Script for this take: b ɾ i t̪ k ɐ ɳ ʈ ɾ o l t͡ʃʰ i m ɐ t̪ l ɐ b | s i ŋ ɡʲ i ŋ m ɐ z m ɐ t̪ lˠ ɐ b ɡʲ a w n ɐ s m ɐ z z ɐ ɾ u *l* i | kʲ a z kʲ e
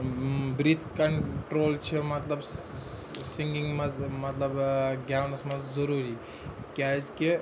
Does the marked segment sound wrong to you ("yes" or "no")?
yes